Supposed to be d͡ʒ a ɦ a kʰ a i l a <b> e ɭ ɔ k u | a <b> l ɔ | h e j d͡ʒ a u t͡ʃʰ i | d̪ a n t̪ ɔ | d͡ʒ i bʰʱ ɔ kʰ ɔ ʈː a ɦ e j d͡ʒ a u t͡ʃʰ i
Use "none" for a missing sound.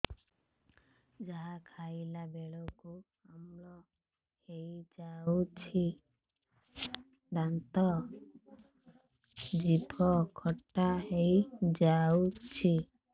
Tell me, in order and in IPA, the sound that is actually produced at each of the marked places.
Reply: b, m

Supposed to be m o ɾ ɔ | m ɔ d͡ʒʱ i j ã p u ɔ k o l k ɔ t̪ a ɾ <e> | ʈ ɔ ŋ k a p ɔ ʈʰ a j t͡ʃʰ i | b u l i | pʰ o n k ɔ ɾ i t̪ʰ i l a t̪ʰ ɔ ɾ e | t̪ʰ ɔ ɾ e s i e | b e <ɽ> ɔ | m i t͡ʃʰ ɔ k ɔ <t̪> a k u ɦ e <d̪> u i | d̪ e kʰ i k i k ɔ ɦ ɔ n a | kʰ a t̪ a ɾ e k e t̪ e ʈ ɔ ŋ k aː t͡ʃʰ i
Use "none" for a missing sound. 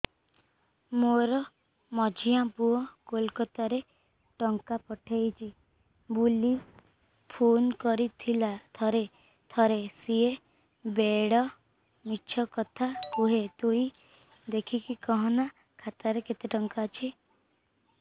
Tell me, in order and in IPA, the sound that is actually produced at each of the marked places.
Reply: e, ɽ, t̪ʰ, t̪

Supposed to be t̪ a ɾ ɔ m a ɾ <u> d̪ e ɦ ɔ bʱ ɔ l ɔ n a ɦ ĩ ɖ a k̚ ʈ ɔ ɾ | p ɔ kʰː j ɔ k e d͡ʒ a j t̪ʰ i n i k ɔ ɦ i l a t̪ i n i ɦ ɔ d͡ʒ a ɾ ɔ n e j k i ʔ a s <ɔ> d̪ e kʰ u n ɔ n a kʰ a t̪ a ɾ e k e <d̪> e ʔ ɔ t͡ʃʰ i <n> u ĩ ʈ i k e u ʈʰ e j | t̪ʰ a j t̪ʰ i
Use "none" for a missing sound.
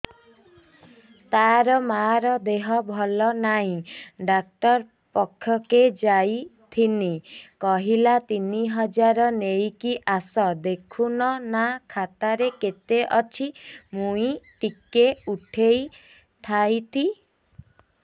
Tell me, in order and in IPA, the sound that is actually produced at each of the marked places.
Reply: ɔ, ɔ, t̪, m

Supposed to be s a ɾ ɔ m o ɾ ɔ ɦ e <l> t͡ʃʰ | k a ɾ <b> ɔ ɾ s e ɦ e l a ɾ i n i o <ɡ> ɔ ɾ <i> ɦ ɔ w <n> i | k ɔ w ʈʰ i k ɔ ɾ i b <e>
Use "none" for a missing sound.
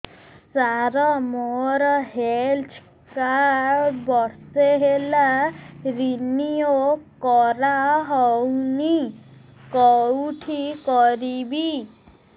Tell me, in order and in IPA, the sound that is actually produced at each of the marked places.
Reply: l, b, k, a, n, i

